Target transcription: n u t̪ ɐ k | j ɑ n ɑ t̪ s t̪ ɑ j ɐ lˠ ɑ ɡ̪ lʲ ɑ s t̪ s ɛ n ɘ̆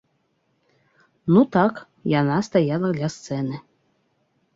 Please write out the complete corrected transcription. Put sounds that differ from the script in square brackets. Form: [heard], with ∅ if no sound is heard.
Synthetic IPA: n u t̪ [ɑ] k | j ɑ n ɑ [∅] s t̪ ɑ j [ɑ] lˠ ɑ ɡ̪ lʲ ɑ s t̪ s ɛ n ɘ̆